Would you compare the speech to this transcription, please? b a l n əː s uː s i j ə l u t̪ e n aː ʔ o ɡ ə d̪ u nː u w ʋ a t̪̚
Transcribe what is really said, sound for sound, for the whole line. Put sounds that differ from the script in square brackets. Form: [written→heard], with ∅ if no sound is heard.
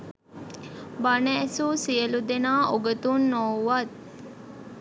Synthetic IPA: b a [l→∅] n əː s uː s i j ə l u [t̪→d̪] e n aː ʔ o ɡ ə [d̪→t̪] u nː [u→o] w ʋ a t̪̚